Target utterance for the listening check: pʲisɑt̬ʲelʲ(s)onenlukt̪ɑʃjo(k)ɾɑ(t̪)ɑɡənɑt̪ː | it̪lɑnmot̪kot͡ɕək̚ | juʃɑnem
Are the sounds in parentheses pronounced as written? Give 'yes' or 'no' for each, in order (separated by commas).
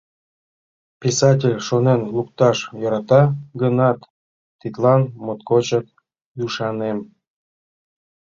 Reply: no, no, yes